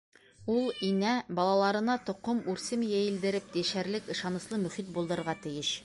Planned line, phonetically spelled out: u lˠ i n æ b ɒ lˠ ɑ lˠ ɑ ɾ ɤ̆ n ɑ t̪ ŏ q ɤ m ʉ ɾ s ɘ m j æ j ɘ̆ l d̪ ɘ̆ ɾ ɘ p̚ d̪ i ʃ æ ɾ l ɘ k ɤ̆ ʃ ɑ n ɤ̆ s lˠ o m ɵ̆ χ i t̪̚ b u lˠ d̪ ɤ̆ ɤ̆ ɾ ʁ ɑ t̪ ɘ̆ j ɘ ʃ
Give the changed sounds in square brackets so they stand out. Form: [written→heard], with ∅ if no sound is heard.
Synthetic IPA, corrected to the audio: u lˠ i n æ b ɒ lˠ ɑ lˠ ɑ ɾ ɤ̆ n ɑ t̪ ŏ q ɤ m ʉ ɾ s ɘ m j æ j ɘ̆ l d̪ ɘ̆ ɾ ɘ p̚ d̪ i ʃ æ ɾ l ɘ k ɤ̆ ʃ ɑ n ɤ̆ s lˠ [o→ɤ] m ɵ̆ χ i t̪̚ b u lˠ d̪ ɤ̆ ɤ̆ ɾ ʁ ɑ t̪ ɘ̆ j ɘ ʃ